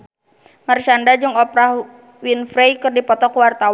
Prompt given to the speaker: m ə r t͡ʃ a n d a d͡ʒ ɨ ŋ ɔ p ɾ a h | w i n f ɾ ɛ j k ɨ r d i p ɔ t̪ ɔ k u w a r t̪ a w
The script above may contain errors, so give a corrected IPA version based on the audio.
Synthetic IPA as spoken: m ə r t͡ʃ a n d a d͡ʒ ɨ ŋ ɔ p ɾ a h | w i n f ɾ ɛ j k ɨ r d i p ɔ t̪ ɔ k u w a r t̪ a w